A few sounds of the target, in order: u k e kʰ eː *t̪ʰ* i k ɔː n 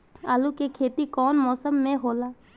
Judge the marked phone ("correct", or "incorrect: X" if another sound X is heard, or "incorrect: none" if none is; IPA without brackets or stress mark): incorrect: t̪